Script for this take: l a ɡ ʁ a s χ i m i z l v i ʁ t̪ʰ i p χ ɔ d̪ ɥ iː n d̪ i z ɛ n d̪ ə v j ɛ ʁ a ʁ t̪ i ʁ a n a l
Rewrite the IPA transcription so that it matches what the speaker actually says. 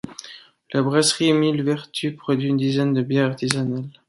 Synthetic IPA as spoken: l a b ʁ a s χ i m i l v ɛ ʁ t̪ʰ y p χ ɔ d̪ ɥ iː n d̪ i z ɛ n d̪ ə b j ɛ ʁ a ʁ t̪ i z a n a l